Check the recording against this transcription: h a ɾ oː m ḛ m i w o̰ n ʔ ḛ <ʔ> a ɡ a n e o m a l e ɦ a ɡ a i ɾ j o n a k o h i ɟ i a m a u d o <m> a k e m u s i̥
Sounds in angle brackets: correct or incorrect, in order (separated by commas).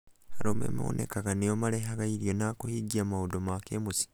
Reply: incorrect, correct